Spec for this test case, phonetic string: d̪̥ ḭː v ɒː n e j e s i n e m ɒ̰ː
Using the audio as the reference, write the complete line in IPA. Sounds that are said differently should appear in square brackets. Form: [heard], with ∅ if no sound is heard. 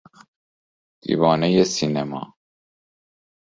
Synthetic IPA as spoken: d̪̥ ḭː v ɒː n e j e s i n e m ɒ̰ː

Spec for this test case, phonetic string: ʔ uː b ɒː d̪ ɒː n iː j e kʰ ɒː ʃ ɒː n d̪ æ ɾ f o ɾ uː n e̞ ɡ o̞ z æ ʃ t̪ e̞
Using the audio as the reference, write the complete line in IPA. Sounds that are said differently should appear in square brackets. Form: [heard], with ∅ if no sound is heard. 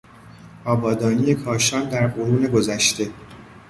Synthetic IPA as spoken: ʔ [ɒː] b ɒː d̪ ɒː n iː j e kʰ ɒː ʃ ɒː n d̪ æ ɾ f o ɾ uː n e̞ ɡ o̞ z æ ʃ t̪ e̞

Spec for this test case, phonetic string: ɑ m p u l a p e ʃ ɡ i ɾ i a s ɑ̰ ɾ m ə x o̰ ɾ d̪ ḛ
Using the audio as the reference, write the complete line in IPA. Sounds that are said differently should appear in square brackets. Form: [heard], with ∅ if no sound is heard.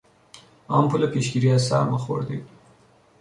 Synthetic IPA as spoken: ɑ m p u l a p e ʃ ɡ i ɾ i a s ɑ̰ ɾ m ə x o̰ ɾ d̪ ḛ

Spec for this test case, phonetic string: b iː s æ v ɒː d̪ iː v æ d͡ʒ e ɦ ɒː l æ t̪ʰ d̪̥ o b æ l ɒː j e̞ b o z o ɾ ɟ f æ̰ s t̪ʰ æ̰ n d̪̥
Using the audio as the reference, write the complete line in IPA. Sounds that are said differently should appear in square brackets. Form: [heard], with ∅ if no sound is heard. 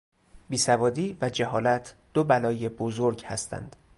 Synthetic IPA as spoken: b iː s æ v ɒː d̪ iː v æ d͡ʒ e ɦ ɒː l æ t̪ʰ d̪̥ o b æ l ɒː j e̞ b o z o ɾ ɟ [h] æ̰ s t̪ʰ æ̰ n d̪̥

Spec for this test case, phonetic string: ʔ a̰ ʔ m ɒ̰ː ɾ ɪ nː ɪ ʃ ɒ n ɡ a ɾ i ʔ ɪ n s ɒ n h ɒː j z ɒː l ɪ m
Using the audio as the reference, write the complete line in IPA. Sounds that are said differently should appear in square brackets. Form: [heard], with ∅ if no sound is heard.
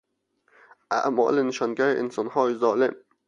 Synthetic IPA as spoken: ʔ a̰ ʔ m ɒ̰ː [l] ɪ [n] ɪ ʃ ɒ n ɡ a ɾ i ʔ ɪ n s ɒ n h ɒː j z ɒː l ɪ m

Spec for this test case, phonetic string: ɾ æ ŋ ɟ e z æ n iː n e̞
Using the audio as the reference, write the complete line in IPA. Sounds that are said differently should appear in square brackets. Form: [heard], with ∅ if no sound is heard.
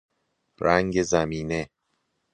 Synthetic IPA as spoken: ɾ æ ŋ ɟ e z æ [m] iː n e̞

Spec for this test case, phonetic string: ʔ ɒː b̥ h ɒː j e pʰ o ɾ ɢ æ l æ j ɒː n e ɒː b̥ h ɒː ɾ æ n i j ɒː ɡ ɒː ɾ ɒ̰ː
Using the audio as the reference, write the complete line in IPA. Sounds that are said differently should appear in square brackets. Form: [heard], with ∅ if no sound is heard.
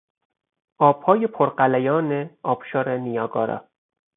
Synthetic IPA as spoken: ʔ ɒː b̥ h ɒː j e pʰ o ɾ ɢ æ l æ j ɒː n e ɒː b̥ [ʃ] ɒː ɾ [e] n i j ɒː ɡ ɒː ɾ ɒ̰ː

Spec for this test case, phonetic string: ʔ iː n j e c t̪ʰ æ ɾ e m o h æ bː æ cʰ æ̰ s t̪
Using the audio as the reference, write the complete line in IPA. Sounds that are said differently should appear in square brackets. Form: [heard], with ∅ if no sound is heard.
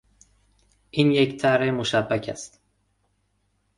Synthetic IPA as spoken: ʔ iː n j e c t̪ʰ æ ɾ e m o [ʃ] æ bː æ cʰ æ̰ s t̪

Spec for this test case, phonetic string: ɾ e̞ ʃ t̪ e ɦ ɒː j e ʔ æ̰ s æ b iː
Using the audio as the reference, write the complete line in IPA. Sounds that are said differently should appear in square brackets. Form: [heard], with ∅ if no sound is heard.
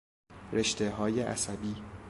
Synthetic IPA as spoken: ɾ e̞ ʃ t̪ e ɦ ɒː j e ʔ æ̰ s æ b iː

